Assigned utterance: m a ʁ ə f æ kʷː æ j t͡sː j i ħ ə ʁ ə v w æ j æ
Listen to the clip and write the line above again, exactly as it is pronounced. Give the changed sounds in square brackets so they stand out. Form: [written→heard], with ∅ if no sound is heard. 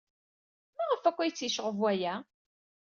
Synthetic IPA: m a ʁ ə f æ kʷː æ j t͡sː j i [ħ→ʃ] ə ʁ ə v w æ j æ